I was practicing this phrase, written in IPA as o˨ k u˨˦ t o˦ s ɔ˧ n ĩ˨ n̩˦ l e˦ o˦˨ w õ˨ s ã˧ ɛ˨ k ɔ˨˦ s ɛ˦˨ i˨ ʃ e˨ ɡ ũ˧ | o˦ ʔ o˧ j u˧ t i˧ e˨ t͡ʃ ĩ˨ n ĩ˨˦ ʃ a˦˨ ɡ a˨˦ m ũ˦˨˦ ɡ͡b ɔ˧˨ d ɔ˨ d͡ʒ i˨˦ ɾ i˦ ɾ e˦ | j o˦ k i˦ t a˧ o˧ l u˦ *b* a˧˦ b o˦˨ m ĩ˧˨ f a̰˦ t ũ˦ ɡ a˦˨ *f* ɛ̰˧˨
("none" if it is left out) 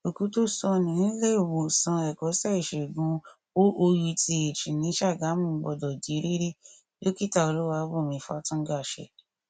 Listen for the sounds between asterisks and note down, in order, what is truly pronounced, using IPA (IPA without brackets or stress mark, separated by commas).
w, ʃ